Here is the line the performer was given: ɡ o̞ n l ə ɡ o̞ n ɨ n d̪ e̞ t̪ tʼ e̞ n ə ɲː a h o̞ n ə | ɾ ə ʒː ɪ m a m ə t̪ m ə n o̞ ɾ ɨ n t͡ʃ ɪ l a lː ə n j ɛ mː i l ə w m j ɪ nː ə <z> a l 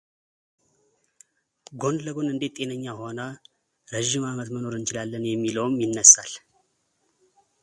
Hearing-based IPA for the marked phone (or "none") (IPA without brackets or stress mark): s